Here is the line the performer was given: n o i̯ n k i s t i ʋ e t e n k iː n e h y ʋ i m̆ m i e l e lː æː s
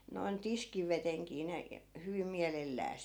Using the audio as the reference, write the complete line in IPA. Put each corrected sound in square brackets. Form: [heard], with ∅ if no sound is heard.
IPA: n o i̯ n [t] i s [k] i ʋ e t e [ŋ] k iː n e h y ʋ i m̆ m i [æ] l e lː æː s